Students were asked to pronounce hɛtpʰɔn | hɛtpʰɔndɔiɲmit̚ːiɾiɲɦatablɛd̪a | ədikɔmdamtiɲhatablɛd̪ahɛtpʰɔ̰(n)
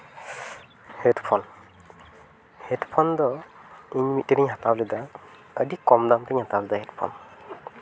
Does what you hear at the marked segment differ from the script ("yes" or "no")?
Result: no